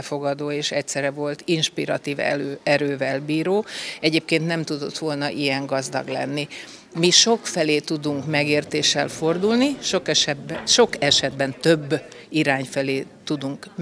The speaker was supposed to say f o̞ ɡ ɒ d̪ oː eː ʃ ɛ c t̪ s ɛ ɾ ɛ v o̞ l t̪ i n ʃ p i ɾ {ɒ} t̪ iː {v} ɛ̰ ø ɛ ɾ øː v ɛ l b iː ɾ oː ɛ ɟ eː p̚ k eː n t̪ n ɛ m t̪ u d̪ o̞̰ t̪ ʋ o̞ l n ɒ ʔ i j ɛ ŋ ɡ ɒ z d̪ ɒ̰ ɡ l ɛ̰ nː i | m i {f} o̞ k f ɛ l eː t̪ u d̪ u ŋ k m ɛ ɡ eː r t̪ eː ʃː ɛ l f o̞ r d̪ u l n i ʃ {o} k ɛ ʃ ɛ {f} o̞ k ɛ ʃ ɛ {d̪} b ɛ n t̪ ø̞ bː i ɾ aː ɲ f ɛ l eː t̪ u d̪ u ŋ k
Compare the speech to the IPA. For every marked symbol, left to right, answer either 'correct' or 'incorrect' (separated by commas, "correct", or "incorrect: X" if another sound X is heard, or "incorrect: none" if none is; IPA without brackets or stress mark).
correct, correct, incorrect: ʃ, correct, incorrect: ʃ, correct